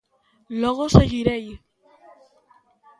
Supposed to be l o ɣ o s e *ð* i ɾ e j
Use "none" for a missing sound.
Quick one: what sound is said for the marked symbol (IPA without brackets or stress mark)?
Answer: ɣ